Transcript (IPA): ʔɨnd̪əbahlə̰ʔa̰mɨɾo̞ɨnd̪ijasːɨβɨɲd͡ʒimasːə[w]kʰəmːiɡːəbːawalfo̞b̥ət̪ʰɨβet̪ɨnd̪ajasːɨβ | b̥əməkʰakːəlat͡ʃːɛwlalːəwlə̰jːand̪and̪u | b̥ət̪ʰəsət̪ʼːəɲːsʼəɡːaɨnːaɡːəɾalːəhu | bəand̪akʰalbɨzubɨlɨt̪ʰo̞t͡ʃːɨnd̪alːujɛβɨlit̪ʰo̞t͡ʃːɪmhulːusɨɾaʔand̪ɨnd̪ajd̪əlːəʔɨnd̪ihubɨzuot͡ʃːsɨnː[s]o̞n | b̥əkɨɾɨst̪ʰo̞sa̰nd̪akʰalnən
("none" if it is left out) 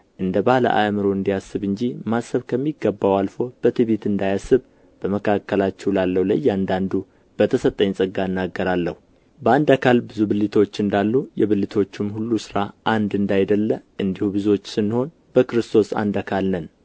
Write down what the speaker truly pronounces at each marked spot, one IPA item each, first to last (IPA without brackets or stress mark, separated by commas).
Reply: β, h